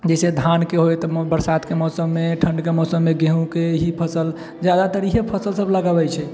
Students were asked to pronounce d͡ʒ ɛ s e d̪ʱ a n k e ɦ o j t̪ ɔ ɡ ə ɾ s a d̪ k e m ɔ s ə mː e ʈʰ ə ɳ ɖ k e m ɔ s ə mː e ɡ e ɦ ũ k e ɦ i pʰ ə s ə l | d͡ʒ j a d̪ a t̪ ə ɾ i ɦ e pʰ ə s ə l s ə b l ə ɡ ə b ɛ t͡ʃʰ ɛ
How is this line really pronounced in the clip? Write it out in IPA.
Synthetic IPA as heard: d͡ʒ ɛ s e d̪ʱ a n k e ɦ o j t̪ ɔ b ə ɾ s a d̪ k e m ɔ s ə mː e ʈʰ ə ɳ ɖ k e m ɔ s ə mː e ɡ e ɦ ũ k e ɦ i pʰ ə s ə l | d͡ʒ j a d̪ a t̪ ə ɾ i ɦ e pʰ ə s ə l s ə b l ə ɡ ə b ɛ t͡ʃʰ ɛ